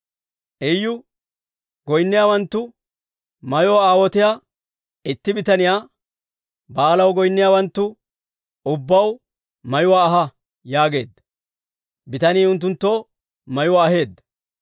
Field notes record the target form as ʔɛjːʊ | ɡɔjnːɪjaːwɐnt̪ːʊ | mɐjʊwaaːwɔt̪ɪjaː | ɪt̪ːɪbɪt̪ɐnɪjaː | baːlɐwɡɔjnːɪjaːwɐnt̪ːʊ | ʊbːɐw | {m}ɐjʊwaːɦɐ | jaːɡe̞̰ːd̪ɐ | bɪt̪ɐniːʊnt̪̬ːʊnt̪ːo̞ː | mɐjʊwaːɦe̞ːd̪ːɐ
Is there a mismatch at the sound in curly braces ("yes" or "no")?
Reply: no